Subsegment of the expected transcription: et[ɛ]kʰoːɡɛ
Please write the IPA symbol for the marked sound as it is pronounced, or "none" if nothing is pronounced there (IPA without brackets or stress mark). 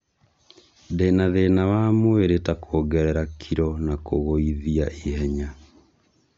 a